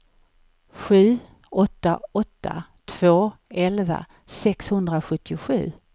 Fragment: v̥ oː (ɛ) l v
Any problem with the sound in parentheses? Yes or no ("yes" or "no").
no